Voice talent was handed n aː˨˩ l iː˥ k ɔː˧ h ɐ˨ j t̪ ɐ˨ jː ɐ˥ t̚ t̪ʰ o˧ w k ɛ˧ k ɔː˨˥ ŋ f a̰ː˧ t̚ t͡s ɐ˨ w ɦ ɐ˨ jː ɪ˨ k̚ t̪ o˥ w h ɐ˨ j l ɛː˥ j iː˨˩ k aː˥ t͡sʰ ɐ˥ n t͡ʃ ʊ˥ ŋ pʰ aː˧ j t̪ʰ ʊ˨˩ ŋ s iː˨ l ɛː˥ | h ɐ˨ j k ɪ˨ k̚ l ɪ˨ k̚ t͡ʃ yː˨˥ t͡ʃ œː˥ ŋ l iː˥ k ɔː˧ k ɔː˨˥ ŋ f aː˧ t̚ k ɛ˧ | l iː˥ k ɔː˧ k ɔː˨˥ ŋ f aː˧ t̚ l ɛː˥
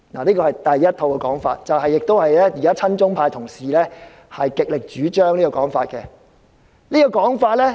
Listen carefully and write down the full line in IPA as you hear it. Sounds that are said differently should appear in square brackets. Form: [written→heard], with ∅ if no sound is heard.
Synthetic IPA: n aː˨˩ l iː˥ k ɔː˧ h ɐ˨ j t̪ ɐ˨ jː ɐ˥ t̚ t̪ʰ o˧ w k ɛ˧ k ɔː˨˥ ŋ f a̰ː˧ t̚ t͡s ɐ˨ w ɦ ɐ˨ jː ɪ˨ k̚ t̪ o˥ w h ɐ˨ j l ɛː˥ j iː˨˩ k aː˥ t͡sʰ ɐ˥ n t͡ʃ ʊ˥ ŋ pʰ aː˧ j t̪ʰ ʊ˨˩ ŋ s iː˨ l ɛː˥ | h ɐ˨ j k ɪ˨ k̚ l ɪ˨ k̚ t͡ʃ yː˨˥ t͡ʃ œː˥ ŋ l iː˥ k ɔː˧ k ɔː˨˥ ŋ f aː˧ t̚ k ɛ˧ | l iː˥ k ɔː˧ k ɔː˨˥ ŋ f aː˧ t̚ l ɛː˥